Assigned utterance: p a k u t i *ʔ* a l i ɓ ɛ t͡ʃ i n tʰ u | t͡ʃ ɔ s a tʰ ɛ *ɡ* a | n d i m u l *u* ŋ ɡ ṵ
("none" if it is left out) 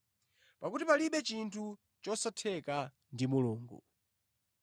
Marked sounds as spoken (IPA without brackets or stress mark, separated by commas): p, k, uː